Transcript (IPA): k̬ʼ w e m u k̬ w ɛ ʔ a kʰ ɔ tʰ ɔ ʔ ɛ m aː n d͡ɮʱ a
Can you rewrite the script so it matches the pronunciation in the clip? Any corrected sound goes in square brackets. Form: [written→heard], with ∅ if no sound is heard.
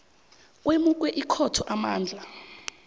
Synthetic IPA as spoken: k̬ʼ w e m u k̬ w ɛ ʔ [a→i] kʰ ɔ tʰ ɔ ʔ [ɛ→a] m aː n d͡ɮʱ a